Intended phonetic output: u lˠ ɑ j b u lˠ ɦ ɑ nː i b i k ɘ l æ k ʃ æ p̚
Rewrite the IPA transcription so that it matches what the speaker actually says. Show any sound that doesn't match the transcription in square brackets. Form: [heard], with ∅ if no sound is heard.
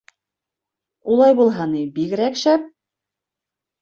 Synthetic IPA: u lˠ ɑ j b u lˠ ɦ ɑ [n] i b i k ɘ [ɾ] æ k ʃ æ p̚